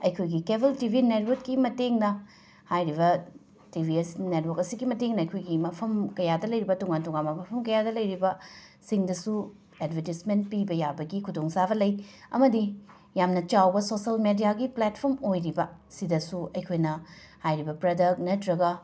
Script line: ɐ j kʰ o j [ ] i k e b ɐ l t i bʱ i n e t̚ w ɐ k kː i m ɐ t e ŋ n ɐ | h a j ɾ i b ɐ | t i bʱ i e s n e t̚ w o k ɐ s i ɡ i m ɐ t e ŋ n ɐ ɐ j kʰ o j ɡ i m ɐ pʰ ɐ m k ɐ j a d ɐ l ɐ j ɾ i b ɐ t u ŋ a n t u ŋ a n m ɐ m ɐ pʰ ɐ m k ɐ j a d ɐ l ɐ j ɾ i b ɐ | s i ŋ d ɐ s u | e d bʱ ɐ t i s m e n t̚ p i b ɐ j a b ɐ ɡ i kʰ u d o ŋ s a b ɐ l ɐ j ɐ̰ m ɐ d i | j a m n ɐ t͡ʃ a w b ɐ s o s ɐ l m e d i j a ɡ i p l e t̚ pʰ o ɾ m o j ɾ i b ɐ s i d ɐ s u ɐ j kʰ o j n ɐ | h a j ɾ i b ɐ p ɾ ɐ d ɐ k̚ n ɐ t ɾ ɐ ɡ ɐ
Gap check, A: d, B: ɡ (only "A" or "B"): B